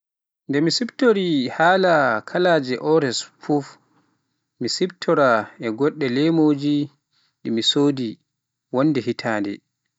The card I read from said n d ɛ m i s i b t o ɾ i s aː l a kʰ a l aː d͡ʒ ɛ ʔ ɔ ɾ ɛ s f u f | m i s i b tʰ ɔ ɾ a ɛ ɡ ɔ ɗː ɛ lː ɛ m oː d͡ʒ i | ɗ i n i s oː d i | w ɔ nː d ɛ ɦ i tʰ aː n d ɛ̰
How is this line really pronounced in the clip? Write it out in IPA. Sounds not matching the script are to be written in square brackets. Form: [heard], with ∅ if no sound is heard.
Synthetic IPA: n d ɛ m i s i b t o ɾ i [h] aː l a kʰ a l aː d͡ʒ ɛ ʔ ɔ ɾ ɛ s f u f | m i s i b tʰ ɔ ɾ a ɛ ɡ ɔ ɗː ɛ [l] ɛ m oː d͡ʒ i | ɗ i [m] i s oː d i | w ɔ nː d ɛ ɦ i tʰ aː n d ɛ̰